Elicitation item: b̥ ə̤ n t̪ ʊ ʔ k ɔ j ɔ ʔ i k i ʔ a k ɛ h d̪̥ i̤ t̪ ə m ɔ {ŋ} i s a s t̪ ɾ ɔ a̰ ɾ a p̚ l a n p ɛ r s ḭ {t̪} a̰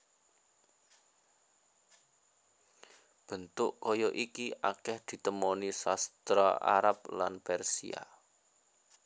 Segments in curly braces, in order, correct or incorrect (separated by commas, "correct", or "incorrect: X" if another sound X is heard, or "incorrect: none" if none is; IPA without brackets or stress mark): incorrect: n, incorrect: none